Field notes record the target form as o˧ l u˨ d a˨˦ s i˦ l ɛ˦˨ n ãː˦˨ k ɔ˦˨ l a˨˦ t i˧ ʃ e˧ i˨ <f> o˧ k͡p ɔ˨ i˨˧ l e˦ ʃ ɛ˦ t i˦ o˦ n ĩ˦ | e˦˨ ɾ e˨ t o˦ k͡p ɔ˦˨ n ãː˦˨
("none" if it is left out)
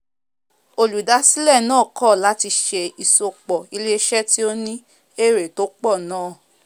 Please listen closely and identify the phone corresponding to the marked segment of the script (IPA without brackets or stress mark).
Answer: s